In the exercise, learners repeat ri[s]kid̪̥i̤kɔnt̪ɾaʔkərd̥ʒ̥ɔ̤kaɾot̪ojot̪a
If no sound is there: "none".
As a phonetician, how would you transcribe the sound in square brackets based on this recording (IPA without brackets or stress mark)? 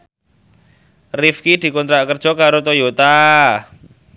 f